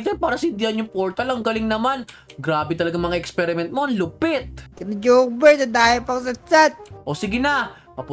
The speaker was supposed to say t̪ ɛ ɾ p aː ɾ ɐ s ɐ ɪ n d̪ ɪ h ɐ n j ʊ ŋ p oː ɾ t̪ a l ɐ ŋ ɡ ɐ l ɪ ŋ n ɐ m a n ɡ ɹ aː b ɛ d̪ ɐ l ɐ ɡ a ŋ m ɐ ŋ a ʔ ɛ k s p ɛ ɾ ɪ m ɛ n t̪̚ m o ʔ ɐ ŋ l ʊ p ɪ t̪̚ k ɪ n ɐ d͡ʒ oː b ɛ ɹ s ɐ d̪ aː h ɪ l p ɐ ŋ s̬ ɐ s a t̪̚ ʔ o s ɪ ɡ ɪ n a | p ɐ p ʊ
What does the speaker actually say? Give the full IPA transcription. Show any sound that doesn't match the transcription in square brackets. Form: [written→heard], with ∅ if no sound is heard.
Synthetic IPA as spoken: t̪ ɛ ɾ p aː ɾ ɐ s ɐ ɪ n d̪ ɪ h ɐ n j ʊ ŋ p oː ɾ t̪ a l ɐ ŋ ɡ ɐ l ɪ ŋ n ɐ m a n ɡ [ɹ→ɾ] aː b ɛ [d̪→t̪] ɐ l ɐ ɡ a ŋ m ɐ ŋ a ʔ ɛ k s p ɛ ɾ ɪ m ɛ n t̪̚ m o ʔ ɐ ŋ l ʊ p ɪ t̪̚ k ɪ n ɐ d͡ʒ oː b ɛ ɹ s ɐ d̪ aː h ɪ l p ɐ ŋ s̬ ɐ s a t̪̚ ʔ o s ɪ ɡ ɪ n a | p ɐ p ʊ